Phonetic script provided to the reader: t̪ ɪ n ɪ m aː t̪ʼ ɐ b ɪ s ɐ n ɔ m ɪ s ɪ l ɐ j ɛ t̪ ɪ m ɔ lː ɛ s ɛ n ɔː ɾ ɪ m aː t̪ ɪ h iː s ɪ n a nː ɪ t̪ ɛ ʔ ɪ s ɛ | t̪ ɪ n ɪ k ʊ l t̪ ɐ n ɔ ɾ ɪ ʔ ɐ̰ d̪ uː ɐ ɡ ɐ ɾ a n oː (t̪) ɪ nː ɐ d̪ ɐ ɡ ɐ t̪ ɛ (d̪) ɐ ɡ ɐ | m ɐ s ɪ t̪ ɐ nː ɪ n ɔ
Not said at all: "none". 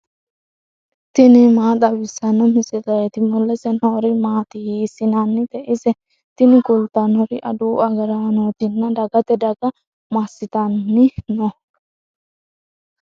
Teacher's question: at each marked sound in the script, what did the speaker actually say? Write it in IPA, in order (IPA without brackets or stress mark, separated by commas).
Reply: t̪, d̪